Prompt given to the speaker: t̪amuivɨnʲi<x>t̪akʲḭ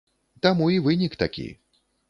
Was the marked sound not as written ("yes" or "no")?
yes